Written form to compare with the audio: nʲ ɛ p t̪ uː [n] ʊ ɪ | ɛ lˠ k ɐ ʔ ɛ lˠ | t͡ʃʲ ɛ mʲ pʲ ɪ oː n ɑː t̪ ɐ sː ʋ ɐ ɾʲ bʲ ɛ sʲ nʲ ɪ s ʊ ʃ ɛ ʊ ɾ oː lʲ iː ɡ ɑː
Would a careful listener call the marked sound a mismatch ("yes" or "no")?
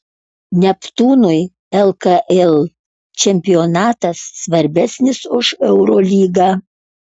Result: no